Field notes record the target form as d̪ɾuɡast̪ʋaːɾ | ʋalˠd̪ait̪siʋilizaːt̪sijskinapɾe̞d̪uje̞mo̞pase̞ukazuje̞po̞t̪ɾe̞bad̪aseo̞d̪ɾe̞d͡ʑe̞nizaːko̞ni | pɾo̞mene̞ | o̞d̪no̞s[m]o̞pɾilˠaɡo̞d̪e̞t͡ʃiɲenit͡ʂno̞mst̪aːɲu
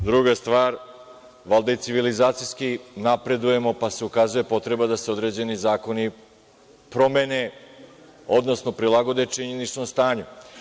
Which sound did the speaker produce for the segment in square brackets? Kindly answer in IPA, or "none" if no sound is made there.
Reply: n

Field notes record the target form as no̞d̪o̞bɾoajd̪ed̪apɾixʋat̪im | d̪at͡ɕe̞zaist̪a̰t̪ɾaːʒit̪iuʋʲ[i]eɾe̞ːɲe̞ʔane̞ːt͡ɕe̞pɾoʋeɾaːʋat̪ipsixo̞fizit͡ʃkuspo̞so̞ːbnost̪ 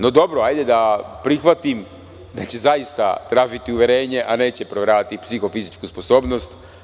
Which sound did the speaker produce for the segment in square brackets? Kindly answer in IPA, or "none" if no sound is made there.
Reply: j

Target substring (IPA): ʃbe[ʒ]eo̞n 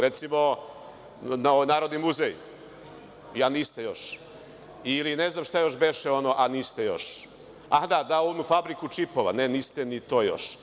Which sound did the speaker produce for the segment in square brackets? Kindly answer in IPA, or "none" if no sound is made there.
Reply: ʃ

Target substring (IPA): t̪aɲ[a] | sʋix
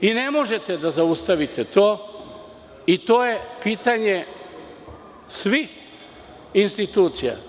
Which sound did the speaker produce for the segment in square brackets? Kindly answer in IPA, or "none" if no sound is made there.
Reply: e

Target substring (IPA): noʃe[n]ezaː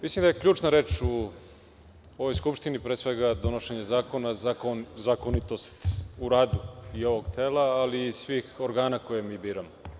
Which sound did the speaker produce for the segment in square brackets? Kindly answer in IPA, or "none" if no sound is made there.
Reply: ɲ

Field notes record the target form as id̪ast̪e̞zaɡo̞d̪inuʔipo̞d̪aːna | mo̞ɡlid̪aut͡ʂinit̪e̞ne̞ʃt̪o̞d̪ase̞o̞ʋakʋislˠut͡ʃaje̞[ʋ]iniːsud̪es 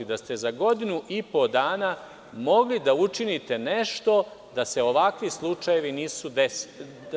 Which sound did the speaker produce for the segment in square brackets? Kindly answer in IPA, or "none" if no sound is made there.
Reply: ʋ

